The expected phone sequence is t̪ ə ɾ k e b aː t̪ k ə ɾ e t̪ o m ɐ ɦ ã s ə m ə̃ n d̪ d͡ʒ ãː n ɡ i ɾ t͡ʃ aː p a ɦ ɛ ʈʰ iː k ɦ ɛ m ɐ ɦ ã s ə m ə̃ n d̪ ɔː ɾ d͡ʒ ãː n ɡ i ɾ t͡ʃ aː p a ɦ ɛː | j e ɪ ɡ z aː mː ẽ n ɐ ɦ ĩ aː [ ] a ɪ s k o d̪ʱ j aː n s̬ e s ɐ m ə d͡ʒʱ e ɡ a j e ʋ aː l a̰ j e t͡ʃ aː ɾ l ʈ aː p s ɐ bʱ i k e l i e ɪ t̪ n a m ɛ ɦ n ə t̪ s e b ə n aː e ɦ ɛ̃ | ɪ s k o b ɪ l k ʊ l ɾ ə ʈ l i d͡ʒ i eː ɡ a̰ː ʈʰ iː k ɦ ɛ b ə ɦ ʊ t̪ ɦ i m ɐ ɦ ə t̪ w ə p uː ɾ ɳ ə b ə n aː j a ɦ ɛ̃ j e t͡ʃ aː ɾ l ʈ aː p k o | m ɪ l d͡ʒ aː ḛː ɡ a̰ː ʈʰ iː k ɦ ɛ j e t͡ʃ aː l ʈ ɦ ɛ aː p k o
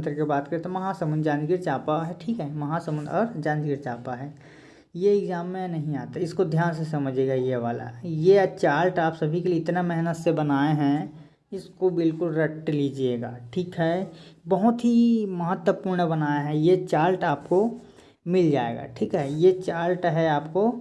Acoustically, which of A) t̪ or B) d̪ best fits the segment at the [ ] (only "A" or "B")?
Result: A